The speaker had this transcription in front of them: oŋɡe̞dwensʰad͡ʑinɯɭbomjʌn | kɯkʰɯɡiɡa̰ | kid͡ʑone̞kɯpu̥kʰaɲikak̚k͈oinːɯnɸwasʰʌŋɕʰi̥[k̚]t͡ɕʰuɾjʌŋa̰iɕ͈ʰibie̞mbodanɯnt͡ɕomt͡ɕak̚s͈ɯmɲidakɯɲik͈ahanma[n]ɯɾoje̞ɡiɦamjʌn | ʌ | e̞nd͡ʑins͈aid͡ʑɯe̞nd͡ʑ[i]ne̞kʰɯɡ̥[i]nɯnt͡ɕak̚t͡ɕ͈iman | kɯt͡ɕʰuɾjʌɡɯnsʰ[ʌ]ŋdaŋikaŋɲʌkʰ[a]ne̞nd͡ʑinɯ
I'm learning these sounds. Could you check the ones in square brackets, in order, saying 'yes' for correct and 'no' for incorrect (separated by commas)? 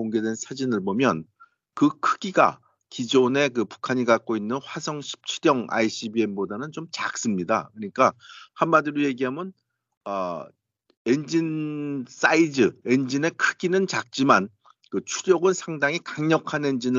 no, no, yes, yes, no, yes